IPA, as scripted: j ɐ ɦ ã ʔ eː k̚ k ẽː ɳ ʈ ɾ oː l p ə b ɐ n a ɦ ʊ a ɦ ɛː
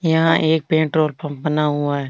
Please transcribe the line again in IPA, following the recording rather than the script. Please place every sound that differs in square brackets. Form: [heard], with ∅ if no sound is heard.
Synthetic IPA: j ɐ ɦ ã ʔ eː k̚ [p] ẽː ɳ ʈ ɾ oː l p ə b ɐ n a ɦ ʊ a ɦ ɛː

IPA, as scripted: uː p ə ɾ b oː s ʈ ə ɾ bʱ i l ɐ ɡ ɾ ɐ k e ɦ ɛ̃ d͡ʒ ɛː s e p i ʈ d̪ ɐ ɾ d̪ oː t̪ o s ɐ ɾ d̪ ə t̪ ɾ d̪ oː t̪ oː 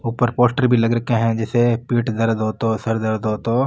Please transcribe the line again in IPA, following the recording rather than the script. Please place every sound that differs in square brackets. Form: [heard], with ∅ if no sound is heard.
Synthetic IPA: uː p ə ɾ [p] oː s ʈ ə ɾ bʱ i l ɐ ɡ ɾ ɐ k e ɦ ɛ̃ d͡ʒ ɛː s e p [iː] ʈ d̪ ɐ ɾ d̪ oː t̪ o s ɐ ɾ d̪ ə [∅] ɾ d̪ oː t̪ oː

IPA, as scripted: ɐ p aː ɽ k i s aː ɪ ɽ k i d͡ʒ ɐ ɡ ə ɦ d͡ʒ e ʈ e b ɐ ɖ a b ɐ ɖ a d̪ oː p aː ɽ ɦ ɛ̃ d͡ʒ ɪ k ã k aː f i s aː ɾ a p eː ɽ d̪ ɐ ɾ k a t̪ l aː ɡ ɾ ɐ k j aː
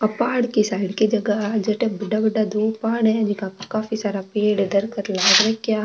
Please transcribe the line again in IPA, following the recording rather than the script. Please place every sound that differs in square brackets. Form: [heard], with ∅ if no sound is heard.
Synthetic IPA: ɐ p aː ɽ k i s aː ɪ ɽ k i d͡ʒ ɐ ɡ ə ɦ d͡ʒ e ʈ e b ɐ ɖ a b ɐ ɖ a d̪ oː p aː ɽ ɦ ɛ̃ d͡ʒ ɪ k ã k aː f i s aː ɾ a p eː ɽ d̪ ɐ ɾ k [ə] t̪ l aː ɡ ɾ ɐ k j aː

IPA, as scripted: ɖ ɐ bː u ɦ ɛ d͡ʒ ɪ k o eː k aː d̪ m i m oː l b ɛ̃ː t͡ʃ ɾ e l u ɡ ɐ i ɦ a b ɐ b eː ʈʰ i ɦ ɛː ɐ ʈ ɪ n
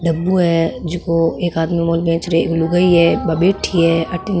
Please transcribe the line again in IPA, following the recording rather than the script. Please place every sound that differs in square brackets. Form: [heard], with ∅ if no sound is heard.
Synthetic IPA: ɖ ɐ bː u ɦ ɛ d͡ʒ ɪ k o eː k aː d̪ m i m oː l b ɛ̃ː t͡ʃ ɾ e l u ɡ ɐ i ɦ [ɛ] b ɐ b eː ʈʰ i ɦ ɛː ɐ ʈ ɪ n

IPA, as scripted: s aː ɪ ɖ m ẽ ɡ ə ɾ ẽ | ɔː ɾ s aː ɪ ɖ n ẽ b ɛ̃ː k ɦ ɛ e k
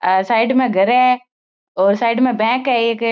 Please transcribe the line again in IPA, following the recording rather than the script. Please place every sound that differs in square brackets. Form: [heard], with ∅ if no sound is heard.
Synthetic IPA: s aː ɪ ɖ m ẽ ɡ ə ɾ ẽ | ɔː ɾ s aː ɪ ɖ [m] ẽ b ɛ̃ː k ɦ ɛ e k

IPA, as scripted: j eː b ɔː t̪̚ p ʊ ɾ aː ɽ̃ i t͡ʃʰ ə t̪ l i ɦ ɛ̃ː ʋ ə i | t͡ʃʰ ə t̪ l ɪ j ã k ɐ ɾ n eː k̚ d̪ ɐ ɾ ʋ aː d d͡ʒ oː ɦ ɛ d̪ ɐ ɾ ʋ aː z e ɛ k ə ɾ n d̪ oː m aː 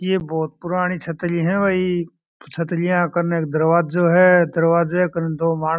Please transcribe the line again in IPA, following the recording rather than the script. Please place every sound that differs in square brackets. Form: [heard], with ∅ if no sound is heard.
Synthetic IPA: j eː b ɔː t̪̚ p ʊ ɾ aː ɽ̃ i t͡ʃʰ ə t̪ l i ɦ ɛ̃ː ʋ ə i | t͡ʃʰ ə t̪ l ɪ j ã k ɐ ɾ n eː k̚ d̪ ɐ ɾ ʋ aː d d͡ʒ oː ɦ ɛ d̪ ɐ ɾ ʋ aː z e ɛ k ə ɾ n d̪ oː m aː

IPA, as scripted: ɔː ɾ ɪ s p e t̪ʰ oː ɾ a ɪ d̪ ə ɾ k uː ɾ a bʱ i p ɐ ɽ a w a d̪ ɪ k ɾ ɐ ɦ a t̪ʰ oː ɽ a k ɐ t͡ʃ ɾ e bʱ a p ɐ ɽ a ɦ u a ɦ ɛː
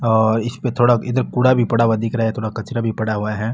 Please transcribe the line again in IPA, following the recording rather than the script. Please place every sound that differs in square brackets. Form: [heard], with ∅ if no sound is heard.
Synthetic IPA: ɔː ɾ ɪ s p e t̪ʰ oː [ɽ] a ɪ d̪ ə ɾ k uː [ɽ] a bʱ i p ɐ ɽ a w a d̪ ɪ k ɾ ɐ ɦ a t̪ʰ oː ɽ a k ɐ t͡ʃ ɾ [a] bʱ [i] p ɐ ɽ a ɦ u a ɦ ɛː

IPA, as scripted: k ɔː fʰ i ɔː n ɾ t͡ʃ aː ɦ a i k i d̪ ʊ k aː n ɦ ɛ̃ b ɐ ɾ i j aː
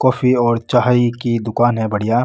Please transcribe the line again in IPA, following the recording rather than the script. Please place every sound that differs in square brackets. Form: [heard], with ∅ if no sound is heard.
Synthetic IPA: k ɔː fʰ i ɔː [∅] ɾ t͡ʃ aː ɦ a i k i d̪ ʊ k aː n ɦ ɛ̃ b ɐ [ɽ] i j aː

